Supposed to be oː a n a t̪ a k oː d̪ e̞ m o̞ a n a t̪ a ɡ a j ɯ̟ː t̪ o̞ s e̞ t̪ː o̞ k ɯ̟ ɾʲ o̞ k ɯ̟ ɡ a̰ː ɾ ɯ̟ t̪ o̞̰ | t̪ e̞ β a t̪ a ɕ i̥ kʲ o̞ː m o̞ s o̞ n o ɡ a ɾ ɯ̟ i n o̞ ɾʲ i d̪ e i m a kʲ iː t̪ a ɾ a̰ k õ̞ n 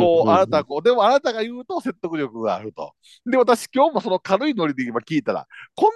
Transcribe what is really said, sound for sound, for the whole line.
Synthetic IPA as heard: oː a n a t̪ a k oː d̪ e̞ m o̞ a n a t̪ a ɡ a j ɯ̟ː t̪ o̞ s e̞ t̪ː o̞ k ɯ̟ ɾʲ o̞ k ɯ̟ ɡ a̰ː ɾ ɯ̟ t̪ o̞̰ | d̪ e̞ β a t̪ a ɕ i̥ kʲ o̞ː m o̞ s o̞ n o k a ɾ ɯ̟ i n o̞ ɾʲ i d̪ e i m a kʲ iː t̪ a ɾ a̰ k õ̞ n